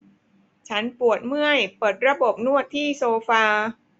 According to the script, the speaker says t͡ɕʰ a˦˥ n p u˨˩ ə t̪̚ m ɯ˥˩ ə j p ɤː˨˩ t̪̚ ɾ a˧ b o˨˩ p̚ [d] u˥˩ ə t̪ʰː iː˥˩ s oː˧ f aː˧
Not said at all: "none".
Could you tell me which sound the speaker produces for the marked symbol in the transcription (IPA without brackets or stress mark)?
n